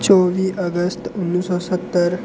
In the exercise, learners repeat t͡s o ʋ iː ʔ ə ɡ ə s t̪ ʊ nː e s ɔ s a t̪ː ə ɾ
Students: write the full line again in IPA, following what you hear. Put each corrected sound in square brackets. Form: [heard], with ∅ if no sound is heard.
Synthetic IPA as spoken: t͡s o ʋ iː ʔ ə ɡ ə s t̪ [u] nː [i] s ɔ s [ə] t̪ː ə ɾ